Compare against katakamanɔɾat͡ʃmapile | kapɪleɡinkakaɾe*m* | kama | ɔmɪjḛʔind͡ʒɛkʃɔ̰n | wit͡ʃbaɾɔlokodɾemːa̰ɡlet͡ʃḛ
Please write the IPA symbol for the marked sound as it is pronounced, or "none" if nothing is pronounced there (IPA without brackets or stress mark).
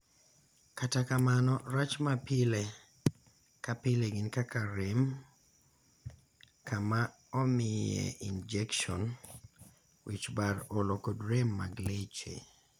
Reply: m